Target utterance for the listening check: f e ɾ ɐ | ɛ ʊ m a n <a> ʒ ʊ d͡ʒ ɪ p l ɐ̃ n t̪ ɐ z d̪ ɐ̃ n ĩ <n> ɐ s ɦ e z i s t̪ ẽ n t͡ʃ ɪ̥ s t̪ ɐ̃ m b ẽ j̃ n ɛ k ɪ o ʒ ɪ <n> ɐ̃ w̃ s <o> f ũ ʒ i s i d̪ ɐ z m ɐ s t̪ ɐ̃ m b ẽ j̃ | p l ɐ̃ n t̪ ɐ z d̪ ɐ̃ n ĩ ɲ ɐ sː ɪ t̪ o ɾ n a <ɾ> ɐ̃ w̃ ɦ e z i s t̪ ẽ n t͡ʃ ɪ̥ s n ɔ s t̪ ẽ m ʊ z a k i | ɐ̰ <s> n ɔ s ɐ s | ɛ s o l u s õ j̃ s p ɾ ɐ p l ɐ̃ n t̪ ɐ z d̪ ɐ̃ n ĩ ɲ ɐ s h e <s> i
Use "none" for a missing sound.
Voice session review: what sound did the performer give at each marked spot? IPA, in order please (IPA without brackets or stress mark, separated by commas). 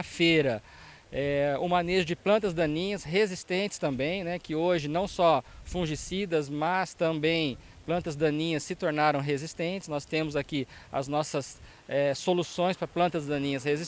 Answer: e, ɲ, n, ɔ, ɾ, z, z